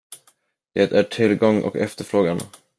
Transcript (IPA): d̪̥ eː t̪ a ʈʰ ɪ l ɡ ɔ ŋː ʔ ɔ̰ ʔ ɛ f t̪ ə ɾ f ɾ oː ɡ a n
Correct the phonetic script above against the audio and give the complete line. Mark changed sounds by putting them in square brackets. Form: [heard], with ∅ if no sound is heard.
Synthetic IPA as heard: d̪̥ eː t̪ [æ] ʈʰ ɪ l ɡ ɔ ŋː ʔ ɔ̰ [k] ɛ f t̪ ə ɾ f ɾ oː ɡ a n